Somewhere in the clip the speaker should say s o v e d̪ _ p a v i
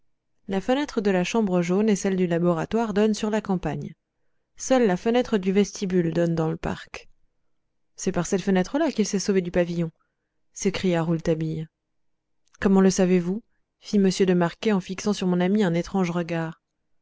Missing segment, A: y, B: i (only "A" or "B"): A